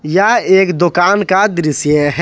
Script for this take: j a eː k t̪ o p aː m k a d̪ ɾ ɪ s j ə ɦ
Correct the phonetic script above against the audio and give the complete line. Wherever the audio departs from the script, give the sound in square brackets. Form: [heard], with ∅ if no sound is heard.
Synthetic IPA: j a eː k [d̪] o [k] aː [n] k a d̪ ɾ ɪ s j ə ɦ